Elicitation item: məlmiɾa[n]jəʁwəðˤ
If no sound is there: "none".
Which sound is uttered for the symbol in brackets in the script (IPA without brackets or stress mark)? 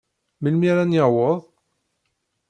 n